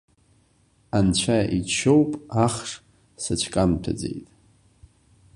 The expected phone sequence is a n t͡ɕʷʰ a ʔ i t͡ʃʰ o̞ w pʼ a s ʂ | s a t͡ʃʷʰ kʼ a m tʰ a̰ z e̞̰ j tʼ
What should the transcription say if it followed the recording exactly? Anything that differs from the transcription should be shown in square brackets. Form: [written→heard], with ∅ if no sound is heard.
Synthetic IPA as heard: a n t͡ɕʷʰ a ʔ i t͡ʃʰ o̞ w pʼ a [s→χ] ʂ | s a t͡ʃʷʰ kʼ a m tʰ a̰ [z→d͡z] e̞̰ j tʼ